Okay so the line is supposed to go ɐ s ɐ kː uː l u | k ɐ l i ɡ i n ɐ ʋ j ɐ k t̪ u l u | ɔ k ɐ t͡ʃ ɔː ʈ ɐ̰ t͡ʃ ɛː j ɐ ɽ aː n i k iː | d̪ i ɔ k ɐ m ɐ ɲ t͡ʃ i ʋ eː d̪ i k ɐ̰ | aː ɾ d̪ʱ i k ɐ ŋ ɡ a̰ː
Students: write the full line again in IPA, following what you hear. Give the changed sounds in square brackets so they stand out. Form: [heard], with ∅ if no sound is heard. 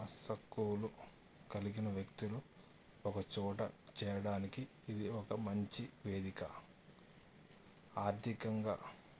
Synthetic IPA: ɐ s ɐ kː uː l u | k ɐ l i ɡ i n ɐ ʋ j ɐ k t̪ u l u | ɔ k ɐ t͡ʃ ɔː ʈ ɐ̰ t͡ʃ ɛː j ɐ ɽ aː n i k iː | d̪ i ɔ k ɐ m ɐ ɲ t͡ʃ i ʋ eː d̪ i k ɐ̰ | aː ɾ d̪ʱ i k ɐ ŋ ɡ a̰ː

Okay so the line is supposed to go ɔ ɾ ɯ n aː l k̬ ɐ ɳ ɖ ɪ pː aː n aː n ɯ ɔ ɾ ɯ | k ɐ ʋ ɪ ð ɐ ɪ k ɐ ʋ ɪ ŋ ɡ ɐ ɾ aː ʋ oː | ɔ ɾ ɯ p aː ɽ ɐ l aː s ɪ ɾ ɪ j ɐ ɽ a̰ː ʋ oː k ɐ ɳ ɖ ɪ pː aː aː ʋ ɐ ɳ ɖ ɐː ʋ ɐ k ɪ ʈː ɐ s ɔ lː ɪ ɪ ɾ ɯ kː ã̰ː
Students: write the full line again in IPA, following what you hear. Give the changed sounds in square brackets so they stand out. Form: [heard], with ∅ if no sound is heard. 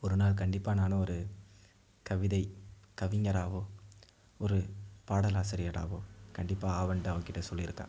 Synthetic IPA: ɔ ɾ ɯ n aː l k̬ ɐ ɳ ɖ ɪ pː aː n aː n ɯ ɔ ɾ ɯ | k ɐ ʋ ɪ ð ɐ ɪ k ɐ ʋ ɪ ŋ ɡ ɐ ɾ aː ʋ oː | ɔ ɾ ɯ p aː ɽ ɐ l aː s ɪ ɾ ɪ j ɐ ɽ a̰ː ʋ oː k ɐ ɳ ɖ ɪ pː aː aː ʋ ɐ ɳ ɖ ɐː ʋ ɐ k ɪ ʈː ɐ s ɔ lː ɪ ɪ ɾ ɯ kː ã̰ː

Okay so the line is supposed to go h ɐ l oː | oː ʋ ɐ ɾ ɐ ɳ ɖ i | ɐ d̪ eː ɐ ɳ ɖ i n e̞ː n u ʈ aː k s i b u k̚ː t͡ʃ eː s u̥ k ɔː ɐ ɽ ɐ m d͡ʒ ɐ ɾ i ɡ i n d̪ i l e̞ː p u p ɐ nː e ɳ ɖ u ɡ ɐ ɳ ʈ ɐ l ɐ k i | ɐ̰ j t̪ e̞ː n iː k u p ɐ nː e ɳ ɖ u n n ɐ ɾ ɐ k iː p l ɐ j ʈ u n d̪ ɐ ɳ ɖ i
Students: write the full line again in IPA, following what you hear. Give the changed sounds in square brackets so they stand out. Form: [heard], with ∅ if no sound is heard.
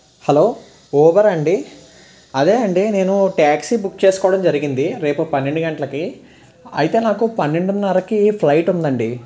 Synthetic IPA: h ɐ l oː | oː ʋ ɐ ɾ ɐ ɳ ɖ i | ɐ d̪ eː ɐ ɳ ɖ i n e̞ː n u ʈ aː k s i b u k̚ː t͡ʃ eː s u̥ k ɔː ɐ ɽ ɐ m d͡ʒ ɐ ɾ i ɡ i n d̪ i [ɾ] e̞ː p u p ɐ nː e ɳ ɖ u ɡ ɐ ɳ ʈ ɐ l ɐ k i | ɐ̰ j t̪ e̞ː n [aː] k u p ɐ nː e ɳ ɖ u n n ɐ ɾ ɐ k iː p l ɐ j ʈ u n d̪ ɐ ɳ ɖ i

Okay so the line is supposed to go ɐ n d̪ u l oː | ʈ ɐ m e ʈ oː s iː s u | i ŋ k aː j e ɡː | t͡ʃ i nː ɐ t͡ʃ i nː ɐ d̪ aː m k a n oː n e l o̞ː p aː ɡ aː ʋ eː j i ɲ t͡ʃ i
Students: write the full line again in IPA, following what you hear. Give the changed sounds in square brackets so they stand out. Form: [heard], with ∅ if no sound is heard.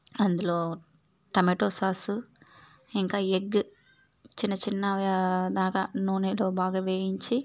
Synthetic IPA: ɐ n d̪ u l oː | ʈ ɐ m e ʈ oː s [aː] s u | i ŋ k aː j e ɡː | t͡ʃ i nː ɐ t͡ʃ i nː ɐ d̪ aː [∅] k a n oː n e l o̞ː [b] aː ɡ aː ʋ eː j i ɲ t͡ʃ i

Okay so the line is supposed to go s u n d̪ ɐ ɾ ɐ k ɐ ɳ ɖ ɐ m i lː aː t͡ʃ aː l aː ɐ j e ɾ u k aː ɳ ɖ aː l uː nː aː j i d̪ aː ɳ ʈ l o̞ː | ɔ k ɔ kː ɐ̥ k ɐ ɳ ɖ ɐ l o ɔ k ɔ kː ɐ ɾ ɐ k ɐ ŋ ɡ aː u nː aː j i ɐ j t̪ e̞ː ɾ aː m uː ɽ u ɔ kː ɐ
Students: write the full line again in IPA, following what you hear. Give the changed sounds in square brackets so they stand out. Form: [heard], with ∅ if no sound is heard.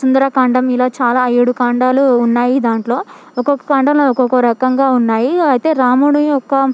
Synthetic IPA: s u n d̪ ɐ ɾ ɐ k ɐ ɳ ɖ ɐ m i [l] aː t͡ʃ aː l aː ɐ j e [ɽ] u k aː ɳ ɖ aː l uː nː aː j i d̪ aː ɳ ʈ l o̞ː | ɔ k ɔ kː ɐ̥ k ɐ ɳ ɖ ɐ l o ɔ k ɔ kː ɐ ɾ ɐ k ɐ ŋ ɡ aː u nː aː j i ɐ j t̪ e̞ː ɾ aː m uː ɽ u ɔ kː ɐ

